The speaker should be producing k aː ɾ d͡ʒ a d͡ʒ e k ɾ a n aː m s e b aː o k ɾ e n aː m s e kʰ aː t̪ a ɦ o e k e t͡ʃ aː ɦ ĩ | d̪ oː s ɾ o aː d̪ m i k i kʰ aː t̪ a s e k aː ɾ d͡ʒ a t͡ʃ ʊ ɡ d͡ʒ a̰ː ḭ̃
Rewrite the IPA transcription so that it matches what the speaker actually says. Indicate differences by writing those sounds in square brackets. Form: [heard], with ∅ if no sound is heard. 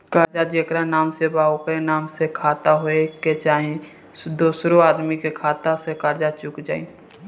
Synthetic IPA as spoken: k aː ɾ d͡ʒ a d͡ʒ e k ɾ a n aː m s e b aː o k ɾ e n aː m s e kʰ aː t̪ a ɦ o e k e t͡ʃ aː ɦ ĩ | d̪ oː s ɾ o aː d̪ m i k [e] kʰ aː t̪ a s e k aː ɾ d͡ʒ a t͡ʃ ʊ [k] d͡ʒ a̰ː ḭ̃